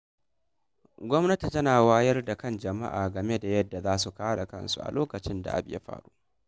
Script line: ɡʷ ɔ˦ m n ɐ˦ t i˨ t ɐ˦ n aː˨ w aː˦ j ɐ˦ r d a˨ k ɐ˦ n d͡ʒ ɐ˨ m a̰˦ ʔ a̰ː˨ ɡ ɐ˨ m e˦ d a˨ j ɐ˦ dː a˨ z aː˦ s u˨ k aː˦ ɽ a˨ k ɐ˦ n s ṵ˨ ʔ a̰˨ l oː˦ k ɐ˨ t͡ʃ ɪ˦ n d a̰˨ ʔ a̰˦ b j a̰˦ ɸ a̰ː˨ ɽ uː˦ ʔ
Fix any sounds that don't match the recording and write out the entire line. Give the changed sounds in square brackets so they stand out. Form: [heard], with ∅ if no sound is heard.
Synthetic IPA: ɡʷ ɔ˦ m n ɐ˦ t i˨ t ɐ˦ n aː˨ w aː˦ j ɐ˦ r d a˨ k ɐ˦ n d͡ʒ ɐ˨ m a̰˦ ʔ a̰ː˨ ɡ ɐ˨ m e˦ d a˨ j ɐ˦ dː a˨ z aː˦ s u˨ k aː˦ ɽ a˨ k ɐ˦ n s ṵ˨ ʔ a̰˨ l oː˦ k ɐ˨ t͡ʃ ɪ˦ n d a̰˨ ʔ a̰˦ b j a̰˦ ɸ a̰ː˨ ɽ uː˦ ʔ

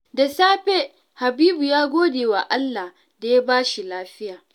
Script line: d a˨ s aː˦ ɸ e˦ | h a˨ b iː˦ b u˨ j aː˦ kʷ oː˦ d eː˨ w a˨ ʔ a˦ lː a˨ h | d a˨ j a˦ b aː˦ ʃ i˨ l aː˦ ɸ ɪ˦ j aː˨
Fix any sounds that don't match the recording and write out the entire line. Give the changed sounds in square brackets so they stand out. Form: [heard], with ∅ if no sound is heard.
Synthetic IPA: d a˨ s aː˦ ɸ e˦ | h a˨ b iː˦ b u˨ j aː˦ [ɡʷ] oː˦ d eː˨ w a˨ ʔ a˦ lː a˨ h | d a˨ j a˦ b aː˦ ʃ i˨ l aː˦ ɸ ɪ˦ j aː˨

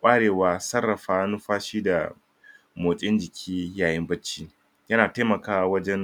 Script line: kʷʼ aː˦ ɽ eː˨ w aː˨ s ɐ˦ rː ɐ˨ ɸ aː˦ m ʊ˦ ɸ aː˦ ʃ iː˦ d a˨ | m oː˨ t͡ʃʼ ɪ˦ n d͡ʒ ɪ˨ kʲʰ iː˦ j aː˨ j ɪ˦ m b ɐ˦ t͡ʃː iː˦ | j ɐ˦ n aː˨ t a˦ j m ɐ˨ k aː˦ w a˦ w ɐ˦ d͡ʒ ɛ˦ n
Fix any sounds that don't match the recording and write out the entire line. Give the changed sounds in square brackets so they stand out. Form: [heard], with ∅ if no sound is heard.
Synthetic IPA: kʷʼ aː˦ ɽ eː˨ w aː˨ s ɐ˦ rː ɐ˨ ɸ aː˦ [n] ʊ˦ ɸ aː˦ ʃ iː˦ d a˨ | m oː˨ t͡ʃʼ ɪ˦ n d͡ʒ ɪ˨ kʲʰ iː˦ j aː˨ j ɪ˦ m b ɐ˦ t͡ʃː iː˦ | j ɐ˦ n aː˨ t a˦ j m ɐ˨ k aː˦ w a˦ w ɐ˦ d͡ʒ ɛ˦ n

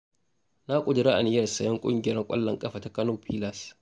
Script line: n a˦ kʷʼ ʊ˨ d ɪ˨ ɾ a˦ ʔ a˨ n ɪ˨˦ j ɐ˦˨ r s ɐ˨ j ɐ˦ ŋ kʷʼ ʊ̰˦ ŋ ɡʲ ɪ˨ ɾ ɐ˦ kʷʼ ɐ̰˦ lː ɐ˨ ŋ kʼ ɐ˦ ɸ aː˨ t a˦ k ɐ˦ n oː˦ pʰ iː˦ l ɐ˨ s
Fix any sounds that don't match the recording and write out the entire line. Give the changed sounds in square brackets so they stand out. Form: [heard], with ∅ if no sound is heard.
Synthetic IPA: n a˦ kʷʼ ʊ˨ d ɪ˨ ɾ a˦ ʔ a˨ n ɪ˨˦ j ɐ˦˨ r s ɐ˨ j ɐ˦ ŋ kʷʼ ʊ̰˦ ŋ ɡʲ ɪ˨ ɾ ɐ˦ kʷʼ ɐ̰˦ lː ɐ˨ ŋ kʼ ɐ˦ ɸ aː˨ t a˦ k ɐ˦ n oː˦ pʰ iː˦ l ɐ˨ s

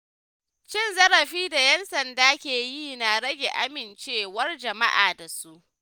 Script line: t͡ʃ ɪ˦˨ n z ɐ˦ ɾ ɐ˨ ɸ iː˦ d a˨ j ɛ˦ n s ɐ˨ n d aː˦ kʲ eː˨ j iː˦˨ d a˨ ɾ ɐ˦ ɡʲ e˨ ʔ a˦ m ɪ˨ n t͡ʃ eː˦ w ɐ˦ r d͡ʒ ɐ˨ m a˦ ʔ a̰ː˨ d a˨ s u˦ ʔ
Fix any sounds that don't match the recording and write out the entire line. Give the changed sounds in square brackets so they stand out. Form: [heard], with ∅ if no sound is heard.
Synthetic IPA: t͡ʃ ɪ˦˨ n z ɐ˦ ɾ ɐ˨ ɸ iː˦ d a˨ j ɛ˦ n s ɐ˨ n d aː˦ kʲ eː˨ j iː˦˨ [n] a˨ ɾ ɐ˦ ɡʲ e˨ ʔ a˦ m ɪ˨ n t͡ʃ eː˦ w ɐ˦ r d͡ʒ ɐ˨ m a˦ ʔ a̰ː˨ d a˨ s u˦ ʔ

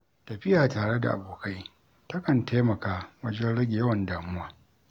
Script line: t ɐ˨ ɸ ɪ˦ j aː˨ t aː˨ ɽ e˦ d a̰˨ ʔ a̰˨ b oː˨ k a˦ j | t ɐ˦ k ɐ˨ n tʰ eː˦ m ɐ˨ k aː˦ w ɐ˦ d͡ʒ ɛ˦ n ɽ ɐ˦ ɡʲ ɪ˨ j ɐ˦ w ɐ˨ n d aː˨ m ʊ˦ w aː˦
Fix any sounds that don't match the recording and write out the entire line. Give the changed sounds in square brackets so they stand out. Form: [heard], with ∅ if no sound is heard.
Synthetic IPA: t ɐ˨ ɸ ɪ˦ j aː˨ t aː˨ ɽ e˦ d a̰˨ ʔ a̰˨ b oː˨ k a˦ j | t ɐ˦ k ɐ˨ n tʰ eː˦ m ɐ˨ k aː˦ w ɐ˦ d͡ʒ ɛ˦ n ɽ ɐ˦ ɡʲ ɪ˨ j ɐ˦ w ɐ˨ n d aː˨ m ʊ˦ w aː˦

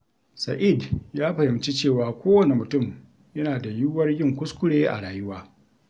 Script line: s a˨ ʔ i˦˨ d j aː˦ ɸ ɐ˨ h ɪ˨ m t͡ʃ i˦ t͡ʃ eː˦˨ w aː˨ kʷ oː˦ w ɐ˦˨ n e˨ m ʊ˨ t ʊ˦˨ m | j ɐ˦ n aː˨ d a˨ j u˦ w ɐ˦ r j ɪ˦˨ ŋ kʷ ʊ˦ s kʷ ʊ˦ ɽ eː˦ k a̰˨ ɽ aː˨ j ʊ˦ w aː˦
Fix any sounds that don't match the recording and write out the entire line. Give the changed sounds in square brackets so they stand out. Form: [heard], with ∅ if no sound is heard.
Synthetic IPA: s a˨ ʔ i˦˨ d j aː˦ ɸ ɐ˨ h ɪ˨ m t͡ʃ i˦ t͡ʃ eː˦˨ w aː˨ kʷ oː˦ w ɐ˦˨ n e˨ m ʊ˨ t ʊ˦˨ m | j ɐ˦ n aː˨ d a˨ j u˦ w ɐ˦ r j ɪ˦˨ ŋ kʷ ʊ˦ s kʷ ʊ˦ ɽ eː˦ [ʔ] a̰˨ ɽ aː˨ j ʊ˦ w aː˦

